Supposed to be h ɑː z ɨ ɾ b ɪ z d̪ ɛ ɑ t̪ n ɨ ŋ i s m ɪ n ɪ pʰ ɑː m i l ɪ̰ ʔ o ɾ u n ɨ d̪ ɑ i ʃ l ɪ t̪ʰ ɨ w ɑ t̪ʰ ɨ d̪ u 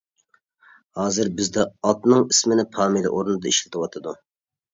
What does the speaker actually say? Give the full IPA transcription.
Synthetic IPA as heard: h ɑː z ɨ ɾ b ɪ z d̪ ɛ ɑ t̪ n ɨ ŋ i s m ɪ n ɪ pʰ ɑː m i l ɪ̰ ʔ o ɾ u n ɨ d̪ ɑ i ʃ l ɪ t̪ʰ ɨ w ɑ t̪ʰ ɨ d̪ u